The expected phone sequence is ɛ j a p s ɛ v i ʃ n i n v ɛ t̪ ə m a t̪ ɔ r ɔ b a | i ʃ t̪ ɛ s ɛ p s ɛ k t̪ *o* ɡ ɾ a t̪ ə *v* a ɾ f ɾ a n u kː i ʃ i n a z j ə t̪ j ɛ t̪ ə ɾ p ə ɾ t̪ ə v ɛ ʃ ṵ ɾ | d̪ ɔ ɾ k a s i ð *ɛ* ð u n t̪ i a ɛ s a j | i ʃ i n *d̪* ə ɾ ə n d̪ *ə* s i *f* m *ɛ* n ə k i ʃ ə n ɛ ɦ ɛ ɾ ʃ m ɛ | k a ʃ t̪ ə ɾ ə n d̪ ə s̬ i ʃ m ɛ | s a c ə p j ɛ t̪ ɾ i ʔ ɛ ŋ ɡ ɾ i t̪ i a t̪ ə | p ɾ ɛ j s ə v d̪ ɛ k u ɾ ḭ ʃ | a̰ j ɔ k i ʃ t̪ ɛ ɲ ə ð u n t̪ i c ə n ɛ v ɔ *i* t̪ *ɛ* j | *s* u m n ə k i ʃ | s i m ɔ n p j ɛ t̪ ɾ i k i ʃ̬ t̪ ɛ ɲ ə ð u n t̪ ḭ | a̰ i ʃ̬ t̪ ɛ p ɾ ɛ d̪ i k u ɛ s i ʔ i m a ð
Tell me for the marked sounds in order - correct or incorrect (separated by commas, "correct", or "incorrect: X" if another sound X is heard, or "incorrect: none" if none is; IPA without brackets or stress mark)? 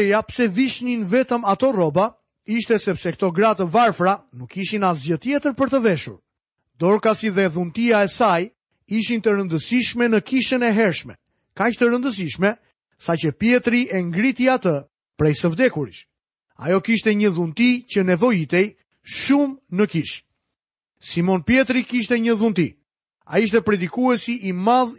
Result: incorrect: ɔ, correct, correct, incorrect: t̪, correct, incorrect: ʃ, correct, correct, correct, incorrect: ʃ